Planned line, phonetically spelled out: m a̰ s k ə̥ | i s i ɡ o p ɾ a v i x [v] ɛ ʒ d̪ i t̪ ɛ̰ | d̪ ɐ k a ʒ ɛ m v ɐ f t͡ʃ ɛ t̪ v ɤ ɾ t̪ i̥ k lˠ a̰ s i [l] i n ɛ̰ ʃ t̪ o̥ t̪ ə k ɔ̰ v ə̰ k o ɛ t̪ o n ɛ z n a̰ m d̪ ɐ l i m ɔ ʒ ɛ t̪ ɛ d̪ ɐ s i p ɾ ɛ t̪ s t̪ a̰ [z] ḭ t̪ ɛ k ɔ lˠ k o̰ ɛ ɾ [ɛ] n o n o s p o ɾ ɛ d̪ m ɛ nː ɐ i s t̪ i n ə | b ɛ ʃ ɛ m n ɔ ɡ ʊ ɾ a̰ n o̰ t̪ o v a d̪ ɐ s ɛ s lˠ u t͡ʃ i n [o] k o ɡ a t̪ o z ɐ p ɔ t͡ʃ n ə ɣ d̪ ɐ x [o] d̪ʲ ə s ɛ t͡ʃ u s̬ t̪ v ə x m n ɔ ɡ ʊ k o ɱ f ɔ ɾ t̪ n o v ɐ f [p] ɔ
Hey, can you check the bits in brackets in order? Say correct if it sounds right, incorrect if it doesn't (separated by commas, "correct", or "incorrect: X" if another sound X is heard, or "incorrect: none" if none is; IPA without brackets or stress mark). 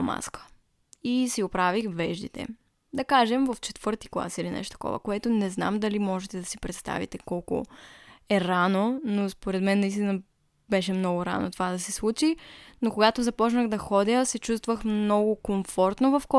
correct, correct, incorrect: v, incorrect: a, correct, incorrect: ɔ, incorrect: k